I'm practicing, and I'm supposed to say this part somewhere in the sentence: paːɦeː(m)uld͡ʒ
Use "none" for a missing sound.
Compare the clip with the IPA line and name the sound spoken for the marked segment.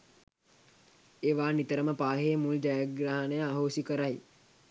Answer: m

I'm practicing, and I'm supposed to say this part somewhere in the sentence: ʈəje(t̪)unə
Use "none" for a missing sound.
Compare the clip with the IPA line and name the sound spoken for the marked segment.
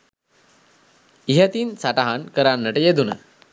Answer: d̪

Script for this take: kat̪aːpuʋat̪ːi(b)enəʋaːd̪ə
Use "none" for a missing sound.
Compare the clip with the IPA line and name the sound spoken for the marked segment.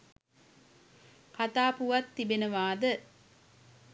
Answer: b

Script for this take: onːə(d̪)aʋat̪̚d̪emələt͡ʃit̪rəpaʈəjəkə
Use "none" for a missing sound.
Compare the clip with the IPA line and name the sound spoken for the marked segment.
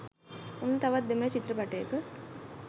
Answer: t̪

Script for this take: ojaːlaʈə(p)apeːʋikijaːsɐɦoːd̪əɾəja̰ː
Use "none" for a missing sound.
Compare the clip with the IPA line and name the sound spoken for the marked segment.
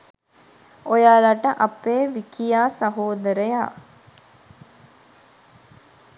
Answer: ʔ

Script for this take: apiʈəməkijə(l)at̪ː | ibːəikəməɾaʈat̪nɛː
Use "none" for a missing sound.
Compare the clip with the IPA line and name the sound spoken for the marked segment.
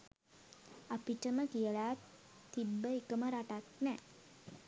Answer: l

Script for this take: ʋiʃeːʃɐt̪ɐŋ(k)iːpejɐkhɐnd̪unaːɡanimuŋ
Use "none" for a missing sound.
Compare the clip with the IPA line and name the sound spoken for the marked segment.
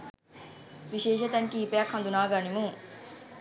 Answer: k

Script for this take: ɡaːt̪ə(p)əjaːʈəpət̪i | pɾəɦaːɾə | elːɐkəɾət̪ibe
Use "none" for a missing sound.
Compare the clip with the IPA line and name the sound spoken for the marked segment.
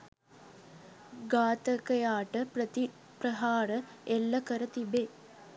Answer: k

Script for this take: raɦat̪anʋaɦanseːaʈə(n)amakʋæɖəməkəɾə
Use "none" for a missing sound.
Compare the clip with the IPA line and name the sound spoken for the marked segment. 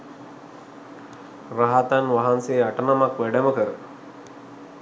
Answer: n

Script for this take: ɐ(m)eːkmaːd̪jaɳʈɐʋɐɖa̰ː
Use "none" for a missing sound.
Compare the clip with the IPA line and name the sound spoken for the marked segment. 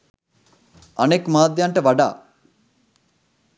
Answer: n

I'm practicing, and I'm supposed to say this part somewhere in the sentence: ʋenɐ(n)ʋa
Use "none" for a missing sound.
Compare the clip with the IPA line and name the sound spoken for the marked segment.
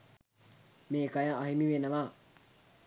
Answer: none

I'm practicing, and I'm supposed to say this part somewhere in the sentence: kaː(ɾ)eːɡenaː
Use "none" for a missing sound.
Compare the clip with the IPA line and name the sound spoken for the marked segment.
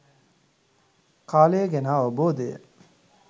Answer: l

